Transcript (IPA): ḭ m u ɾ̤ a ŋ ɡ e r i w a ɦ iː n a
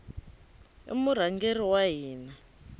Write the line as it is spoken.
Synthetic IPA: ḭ m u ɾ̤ a ŋ ɡ e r i w a ɦ iː n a